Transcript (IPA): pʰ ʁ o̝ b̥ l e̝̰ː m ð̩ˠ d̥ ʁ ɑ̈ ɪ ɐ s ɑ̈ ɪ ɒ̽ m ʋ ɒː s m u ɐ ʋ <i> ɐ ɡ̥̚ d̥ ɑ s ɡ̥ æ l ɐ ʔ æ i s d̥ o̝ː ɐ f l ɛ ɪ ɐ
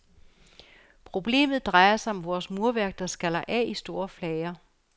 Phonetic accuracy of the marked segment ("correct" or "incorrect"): incorrect